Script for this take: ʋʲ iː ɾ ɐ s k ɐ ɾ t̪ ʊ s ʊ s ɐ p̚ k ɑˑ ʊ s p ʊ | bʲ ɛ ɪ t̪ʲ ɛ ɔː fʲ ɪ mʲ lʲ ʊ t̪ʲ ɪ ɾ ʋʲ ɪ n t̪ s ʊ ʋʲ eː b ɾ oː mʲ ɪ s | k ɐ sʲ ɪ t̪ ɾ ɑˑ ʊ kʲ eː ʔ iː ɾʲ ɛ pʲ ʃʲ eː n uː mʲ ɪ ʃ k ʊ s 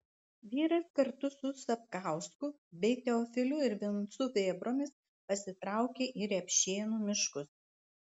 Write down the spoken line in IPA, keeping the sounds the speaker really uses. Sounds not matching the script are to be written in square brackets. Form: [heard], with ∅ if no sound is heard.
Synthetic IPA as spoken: ʋʲ iː ɾ ɐ s k ɐ ɾ t̪ ʊ s ʊ s ɐ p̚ k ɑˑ ʊ s [k] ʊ | bʲ ɛ ɪ t̪ʲ ɛ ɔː fʲ ɪ [∅] lʲ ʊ [∅] ɪ ɾ ʋʲ ɪ n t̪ s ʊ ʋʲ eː b ɾ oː mʲ ɪ s | [p] ɐ sʲ ɪ t̪ ɾ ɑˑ ʊ kʲ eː ʔ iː ɾʲ ɛ pʲ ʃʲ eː n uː mʲ ɪ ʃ k ʊ s